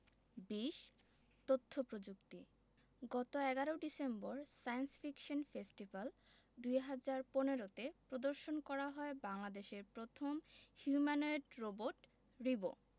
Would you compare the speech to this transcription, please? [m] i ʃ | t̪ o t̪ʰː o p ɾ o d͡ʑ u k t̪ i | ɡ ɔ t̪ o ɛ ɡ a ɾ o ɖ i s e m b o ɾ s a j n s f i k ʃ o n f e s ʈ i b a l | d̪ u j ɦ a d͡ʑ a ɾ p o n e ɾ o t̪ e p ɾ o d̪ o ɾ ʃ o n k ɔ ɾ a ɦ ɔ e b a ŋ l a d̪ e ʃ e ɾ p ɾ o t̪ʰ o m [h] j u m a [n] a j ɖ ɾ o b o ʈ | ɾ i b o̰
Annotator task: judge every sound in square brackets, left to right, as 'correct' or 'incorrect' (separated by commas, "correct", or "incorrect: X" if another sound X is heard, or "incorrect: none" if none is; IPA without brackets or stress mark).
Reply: incorrect: b, correct, correct